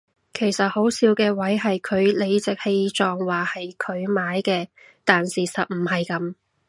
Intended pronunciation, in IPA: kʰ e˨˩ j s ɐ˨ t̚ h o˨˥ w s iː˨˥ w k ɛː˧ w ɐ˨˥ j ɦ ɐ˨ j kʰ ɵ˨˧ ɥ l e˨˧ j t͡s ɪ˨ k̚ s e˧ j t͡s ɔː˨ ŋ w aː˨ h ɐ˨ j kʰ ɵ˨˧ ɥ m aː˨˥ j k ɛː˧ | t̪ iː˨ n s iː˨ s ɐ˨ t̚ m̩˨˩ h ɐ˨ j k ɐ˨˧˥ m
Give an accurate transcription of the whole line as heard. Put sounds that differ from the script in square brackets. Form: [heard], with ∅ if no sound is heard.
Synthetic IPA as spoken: kʰ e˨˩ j s ɐ˨ t̚ h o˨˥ w s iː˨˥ w k ɛː˧ w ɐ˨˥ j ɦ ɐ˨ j kʰ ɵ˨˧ ɥ l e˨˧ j t͡s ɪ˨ k̚ [h] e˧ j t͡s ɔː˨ ŋ w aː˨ h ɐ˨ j kʰ ɵ˨˧ ɥ m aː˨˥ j k ɛː˧ | t̪ [aː˨] n s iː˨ s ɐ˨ t̚ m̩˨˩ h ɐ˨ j k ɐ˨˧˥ m